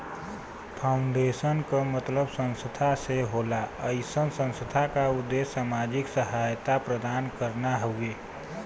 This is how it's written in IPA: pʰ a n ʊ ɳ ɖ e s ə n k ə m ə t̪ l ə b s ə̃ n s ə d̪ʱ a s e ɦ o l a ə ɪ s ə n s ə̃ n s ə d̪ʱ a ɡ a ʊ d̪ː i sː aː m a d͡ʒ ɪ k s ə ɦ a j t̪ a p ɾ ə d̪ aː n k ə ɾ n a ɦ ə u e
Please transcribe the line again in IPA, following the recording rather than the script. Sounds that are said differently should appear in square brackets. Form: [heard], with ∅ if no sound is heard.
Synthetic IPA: pʰ a [∅] ʊ ɳ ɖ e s ə n k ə m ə t̪ l ə b s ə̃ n s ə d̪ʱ a s e ɦ o l a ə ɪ s ə n s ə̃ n s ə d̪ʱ a [k] a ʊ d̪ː [e] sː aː m a d͡ʒ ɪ k s ə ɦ a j t̪ a p ɾ ə d̪ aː n k ə ɾ n a ɦ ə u e